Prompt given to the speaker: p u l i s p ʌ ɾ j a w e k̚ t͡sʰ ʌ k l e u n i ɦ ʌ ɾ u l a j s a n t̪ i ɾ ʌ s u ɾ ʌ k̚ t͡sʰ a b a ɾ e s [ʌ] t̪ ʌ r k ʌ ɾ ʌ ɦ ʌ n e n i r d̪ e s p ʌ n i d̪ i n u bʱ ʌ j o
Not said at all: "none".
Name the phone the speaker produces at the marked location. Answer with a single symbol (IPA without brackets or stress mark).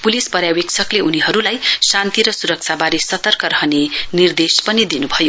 ʌ